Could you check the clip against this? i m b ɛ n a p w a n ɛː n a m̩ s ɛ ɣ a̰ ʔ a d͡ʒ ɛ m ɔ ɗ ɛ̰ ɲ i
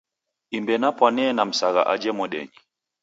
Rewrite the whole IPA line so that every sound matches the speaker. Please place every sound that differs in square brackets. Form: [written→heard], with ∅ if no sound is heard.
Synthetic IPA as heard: i m b ɛ n a p w a n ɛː n a m̩ s [ɛ→a] ɣ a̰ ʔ a d͡ʒ ɛ m ɔ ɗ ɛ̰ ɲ i